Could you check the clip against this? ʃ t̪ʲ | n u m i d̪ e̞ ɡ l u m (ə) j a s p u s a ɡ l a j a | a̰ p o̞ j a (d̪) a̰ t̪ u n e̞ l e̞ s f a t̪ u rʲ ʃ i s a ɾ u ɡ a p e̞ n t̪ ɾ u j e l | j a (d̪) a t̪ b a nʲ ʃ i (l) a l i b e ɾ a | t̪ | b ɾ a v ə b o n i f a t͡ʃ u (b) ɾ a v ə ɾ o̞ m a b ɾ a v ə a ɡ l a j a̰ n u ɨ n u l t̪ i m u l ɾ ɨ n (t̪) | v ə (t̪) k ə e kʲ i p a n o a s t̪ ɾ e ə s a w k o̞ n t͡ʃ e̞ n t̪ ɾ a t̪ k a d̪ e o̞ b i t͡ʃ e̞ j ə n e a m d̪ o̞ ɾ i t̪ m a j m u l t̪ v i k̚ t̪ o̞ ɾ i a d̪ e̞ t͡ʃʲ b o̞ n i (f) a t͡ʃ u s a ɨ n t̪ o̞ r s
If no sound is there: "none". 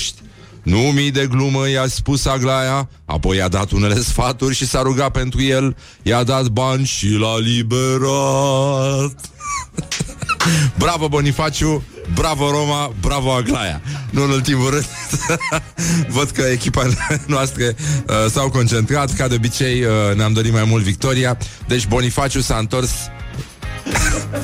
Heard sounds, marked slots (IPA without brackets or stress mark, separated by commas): ə, d̪, d̪, l, b, d̪, d̪, f